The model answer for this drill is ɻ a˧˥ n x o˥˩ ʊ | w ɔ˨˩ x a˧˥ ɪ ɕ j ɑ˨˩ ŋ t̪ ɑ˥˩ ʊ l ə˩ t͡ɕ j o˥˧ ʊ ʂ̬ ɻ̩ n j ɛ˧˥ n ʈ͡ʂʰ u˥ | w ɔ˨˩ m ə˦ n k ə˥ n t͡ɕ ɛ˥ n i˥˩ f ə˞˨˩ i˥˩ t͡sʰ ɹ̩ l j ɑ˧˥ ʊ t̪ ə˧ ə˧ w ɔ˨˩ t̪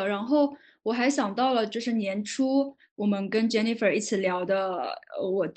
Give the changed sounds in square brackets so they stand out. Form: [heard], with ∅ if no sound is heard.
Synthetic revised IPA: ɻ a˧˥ n x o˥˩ ʊ | w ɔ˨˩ x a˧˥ ɪ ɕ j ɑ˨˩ ŋ t̪ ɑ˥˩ ʊ l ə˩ t͡ɕ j o˥˧ ʊ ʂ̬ ɻ̩ n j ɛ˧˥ n ʈ͡ʂʰ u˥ | w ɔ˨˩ m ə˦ n k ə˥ n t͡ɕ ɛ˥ n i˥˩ f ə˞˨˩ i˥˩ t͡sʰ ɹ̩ l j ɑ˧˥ ʊ [d̪] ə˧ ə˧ w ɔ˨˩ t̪